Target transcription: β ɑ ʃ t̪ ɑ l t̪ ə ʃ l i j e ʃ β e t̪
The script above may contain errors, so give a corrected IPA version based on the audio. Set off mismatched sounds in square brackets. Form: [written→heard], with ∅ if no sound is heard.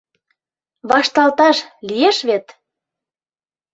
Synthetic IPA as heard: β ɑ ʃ t̪ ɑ l t̪ [ə→ɑ] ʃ l i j e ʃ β e t̪